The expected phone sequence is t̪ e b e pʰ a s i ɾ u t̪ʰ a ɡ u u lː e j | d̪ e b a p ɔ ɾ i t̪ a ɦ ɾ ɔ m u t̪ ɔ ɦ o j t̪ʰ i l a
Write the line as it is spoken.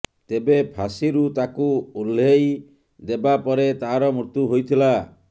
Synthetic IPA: t̪ e b e pʰ a s i ɾ u t̪ a k u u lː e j | d̪ e b a p ɔ ɾ e t̪ a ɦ ɾ ɔ m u t̪ u ɦ o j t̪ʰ i l a